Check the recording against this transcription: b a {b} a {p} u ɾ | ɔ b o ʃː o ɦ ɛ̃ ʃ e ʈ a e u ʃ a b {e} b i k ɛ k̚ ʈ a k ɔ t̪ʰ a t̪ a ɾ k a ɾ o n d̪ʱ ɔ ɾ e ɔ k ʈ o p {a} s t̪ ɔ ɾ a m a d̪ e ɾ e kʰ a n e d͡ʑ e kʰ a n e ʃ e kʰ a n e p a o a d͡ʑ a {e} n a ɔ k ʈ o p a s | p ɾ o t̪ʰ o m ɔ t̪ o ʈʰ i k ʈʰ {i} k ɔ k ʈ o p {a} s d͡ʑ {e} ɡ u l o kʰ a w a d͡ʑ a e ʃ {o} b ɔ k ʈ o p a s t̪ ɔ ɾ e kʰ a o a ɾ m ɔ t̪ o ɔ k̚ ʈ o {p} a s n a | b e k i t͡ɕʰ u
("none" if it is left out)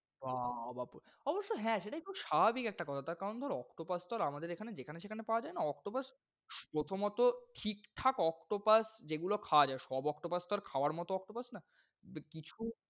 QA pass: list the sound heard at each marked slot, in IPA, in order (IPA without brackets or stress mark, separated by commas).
b, p, a, a, e, a, a, e, ɔ, p